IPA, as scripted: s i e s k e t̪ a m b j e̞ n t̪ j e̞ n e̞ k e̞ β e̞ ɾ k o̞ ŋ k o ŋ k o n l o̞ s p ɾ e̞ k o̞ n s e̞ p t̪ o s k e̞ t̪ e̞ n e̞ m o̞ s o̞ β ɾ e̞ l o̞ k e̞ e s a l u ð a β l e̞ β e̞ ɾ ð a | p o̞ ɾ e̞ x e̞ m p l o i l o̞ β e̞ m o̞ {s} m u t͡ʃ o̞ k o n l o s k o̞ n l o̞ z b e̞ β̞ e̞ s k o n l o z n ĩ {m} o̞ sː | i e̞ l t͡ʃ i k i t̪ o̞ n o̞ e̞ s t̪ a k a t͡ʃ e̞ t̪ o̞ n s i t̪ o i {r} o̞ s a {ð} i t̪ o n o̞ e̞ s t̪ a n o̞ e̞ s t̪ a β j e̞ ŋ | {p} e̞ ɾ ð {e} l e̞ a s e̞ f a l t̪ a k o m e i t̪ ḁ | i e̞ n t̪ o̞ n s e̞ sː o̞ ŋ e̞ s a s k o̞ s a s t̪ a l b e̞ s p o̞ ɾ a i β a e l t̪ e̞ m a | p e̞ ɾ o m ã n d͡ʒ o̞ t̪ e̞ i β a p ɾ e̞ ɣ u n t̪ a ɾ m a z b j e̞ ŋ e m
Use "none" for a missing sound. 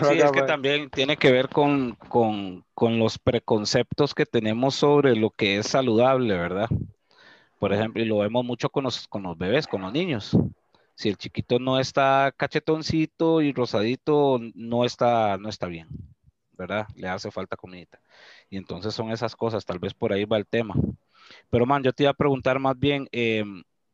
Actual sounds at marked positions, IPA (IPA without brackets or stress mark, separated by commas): z, ɲ, r, ð, b, a